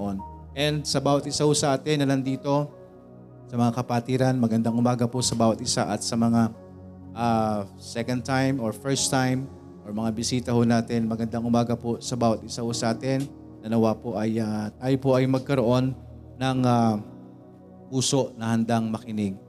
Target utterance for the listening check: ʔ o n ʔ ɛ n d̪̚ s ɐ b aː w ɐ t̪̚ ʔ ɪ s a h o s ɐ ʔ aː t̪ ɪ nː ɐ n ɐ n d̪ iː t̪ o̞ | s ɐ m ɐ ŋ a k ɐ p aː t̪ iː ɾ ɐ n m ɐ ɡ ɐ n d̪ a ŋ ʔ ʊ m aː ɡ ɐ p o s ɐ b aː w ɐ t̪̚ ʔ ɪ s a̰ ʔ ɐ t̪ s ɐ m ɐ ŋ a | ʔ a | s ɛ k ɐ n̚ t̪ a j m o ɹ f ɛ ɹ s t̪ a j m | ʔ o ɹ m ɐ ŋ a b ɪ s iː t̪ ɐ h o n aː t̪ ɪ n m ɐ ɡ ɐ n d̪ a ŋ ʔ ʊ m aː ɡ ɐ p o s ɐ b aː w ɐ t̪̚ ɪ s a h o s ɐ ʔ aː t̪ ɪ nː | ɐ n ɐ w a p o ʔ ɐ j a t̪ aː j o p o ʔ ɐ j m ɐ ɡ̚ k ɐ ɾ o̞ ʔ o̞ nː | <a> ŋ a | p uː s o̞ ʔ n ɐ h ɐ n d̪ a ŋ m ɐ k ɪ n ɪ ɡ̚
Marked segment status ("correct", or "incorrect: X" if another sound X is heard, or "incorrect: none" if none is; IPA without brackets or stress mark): incorrect: ɐ